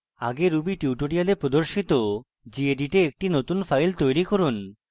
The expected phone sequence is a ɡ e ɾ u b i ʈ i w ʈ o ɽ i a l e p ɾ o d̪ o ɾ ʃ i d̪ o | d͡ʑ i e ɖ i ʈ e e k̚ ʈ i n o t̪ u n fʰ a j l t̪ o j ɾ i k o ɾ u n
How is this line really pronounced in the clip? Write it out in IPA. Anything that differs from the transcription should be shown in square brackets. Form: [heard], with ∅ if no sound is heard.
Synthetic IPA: a ɡ e ɾ u b i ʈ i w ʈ o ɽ i a l e p ɾ o d̪ o ɾ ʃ i [t̪] o | d͡ʑ i e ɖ i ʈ e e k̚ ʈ i n o t̪ u n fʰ a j l t̪ o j ɾ i k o ɾ u n